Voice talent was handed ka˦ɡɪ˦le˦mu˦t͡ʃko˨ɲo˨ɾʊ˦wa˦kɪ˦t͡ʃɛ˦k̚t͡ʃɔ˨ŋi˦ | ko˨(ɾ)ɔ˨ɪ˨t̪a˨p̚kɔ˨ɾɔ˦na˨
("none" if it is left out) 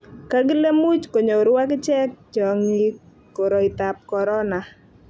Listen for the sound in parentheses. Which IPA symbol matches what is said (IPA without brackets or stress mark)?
ɾ